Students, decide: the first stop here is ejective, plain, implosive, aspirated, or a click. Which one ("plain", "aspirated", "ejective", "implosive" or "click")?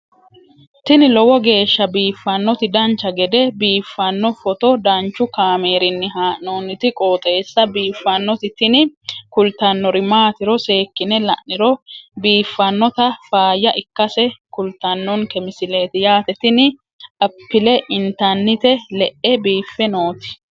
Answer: plain